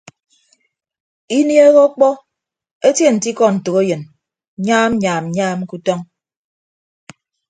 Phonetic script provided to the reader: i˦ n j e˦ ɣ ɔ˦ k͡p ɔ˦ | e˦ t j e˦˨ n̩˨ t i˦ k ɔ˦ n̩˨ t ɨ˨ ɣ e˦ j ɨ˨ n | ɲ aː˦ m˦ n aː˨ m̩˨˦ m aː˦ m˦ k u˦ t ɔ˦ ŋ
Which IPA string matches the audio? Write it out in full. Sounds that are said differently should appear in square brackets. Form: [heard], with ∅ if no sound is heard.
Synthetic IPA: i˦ n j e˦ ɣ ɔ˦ k͡p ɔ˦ | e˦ t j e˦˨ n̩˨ t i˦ k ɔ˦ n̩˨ t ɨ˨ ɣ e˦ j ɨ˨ n | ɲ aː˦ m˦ [ɲ] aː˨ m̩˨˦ [ɲ] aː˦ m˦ k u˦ t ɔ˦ ŋ